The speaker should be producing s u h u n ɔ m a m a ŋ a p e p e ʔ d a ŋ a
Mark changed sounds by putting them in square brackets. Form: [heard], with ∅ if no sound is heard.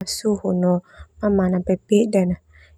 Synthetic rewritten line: s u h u n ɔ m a m a [n] a p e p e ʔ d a [n] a

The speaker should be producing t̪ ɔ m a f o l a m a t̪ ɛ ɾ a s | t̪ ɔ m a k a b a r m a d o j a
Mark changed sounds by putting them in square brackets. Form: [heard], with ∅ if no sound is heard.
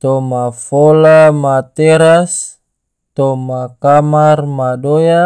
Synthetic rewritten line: t̪ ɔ m a f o l a m a t̪ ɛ ɾ a s | t̪ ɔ m a k a [m] a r m a d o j a

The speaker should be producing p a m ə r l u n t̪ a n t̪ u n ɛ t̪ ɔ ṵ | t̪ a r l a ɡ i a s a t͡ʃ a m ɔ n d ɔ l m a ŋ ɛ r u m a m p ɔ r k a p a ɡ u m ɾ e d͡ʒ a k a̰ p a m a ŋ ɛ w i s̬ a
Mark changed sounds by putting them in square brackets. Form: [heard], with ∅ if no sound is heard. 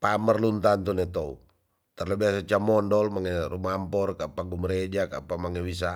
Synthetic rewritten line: p a m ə r l u n t̪ a n t̪ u n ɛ t̪ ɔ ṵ | t̪ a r l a [b] i a s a t͡ʃ a m ɔ n d ɔ l m a ŋ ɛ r u m a m p ɔ r k a p a ɡ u m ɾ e d͡ʒ a k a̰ p a m a ŋ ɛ w i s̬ a

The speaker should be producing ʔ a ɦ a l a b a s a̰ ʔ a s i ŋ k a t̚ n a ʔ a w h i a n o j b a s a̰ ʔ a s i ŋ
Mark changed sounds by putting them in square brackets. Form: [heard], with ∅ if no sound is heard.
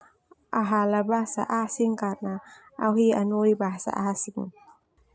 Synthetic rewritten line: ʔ a ɦ a l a b a s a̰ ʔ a s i ŋ k a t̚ n a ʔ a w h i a n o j b a s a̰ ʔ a s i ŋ

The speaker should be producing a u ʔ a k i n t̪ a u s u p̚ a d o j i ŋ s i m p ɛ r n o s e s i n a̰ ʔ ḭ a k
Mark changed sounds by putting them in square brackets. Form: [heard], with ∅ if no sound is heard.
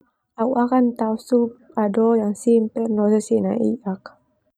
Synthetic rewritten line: a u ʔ a k [a] n t̪ a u s u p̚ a d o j [a] ŋ s i m p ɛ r n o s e s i n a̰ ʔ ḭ a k

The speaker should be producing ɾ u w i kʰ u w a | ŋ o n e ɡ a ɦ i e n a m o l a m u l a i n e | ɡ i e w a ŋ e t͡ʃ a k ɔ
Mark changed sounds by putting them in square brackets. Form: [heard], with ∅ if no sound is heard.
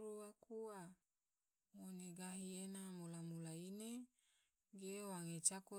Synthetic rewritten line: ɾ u w [a] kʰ u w a | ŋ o n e ɡ a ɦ i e n a m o l a m u l a i n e | ɡ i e w a ŋ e t͡ʃ a k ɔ

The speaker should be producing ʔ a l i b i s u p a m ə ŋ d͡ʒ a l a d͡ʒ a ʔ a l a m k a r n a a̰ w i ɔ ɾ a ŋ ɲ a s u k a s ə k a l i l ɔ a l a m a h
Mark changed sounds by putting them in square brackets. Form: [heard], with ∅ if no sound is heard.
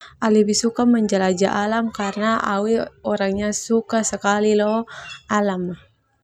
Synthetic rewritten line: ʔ a l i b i s u [k] a m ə [ɲ] d͡ʒ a l a d͡ʒ a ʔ a l a m k a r n a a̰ w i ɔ ɾ a ŋ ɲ a s u k a s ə k a l i l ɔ a l a m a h

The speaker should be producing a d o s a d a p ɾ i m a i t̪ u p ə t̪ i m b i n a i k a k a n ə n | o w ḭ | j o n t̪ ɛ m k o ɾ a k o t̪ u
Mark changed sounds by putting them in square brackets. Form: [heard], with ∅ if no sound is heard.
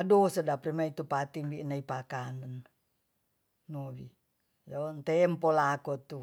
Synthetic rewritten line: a d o s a d a p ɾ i m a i t̪ u p [a] t̪ i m b i n a i [p] a k a n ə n | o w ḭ | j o n t̪ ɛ m [p] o [l] a k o t̪ u

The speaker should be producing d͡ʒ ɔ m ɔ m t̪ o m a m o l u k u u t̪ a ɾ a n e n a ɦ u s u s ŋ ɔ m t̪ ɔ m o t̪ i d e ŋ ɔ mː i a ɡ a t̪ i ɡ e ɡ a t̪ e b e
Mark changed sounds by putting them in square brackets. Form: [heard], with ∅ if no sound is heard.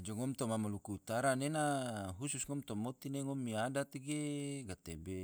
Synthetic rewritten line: d͡ʒ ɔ [ŋ] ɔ m t̪ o m a m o l u k u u t̪ a ɾ a n e n a ɦ u s u s ŋ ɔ m t̪ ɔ m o t̪ i [n] e ŋ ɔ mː i a [d] a t̪ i ɡ e ɡ a t̪ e b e

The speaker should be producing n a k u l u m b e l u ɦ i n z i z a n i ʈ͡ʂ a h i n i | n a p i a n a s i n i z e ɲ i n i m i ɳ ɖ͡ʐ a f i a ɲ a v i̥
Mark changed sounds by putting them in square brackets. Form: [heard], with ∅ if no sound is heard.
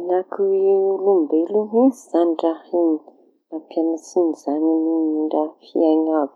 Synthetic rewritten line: n a k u l u m b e l u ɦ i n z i z a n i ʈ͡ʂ a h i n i | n a p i a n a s i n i z [a] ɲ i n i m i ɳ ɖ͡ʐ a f i a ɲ a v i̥

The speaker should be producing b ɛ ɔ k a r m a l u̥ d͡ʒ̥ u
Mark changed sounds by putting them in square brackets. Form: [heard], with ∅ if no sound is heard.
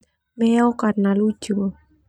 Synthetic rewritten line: [m] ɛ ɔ k a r [n] a l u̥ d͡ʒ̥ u

